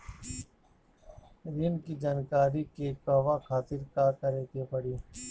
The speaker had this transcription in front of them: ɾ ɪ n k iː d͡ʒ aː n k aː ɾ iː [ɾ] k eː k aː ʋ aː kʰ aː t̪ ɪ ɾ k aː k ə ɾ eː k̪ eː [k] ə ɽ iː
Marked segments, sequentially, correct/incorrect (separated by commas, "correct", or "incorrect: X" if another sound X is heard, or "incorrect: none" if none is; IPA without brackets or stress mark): incorrect: none, incorrect: p